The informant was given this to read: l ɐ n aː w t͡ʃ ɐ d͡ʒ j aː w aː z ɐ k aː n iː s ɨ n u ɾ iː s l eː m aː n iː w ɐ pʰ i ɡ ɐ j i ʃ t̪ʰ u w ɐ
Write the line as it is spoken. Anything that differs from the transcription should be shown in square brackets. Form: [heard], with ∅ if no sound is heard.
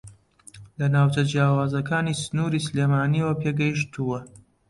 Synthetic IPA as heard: l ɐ n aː w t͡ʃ ɐ d͡ʒ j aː w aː z ɐ k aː n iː s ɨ n u ɾ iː s l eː m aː n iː w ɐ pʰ [e] ɡ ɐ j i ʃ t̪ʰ u w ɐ